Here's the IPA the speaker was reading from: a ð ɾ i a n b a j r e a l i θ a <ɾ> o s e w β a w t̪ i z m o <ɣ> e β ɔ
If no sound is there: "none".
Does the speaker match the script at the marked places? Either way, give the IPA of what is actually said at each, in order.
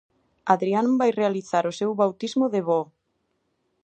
ɾ, ð

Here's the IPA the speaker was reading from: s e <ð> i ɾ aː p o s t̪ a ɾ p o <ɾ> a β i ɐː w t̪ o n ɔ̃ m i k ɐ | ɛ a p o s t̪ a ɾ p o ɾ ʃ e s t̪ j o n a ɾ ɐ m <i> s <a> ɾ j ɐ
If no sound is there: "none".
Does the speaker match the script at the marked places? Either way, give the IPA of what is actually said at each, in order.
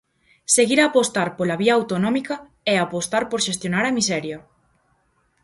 ɣ, l, i, ɛ

